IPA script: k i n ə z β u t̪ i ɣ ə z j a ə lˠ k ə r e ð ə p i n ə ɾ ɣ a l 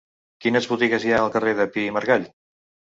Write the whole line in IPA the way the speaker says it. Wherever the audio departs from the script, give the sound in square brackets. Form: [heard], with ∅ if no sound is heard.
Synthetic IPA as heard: k i n ə z β u t̪ i ɣ ə z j a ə lˠ k ə r e ð ə p i [m] ə ɾ ɣ a [ʎ]